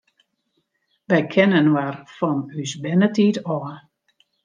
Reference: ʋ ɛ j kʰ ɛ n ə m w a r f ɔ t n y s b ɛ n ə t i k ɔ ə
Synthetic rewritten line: ʋ ɛ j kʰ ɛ n ə n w a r f ɔ n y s b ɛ n ə t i t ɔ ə